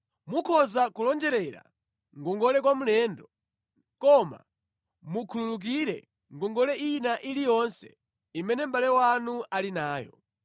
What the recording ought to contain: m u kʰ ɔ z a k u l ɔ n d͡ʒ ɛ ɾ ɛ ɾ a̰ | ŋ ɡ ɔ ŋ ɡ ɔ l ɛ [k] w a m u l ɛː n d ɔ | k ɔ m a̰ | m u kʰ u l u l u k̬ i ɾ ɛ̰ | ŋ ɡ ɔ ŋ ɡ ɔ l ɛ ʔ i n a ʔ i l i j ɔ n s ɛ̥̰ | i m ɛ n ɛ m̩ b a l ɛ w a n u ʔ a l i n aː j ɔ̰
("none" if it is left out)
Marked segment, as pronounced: k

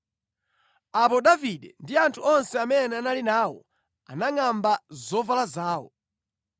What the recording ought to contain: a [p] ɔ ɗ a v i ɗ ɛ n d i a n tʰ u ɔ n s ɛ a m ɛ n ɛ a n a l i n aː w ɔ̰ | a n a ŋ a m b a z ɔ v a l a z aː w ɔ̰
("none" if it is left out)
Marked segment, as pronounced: p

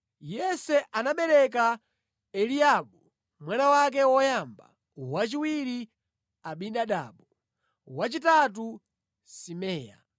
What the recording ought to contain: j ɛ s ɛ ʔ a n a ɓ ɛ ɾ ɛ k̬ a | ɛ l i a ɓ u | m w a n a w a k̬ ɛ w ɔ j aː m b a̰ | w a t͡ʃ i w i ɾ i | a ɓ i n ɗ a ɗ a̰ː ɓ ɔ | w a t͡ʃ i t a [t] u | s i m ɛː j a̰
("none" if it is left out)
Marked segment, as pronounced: t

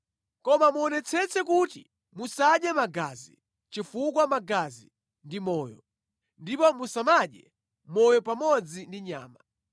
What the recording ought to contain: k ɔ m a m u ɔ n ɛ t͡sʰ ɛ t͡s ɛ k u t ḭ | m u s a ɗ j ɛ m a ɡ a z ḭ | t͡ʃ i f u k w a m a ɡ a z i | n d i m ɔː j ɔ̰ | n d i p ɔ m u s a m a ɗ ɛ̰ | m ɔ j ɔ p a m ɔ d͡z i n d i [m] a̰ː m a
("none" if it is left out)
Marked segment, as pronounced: ɲ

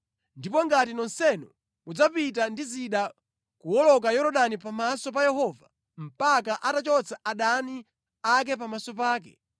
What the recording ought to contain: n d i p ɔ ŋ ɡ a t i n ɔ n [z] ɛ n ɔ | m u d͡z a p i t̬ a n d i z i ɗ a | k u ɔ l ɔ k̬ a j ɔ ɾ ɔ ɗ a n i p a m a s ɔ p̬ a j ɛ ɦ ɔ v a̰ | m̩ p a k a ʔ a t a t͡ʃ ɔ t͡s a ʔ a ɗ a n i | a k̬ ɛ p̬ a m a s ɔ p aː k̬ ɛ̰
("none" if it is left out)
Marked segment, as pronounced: s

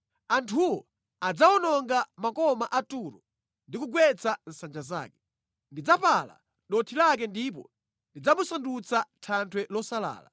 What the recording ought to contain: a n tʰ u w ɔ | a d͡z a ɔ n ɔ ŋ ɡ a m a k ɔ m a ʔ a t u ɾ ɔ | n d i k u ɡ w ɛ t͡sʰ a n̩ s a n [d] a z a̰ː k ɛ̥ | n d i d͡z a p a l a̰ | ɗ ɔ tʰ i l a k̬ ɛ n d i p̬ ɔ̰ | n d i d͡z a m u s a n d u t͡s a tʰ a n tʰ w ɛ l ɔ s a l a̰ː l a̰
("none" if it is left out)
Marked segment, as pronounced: d͡ʒ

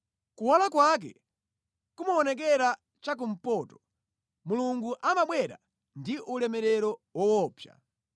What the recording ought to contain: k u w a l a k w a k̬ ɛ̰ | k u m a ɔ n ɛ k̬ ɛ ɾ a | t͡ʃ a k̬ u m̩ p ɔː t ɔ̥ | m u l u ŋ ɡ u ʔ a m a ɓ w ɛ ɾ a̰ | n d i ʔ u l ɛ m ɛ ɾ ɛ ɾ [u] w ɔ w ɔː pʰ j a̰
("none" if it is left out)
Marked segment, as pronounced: ɔ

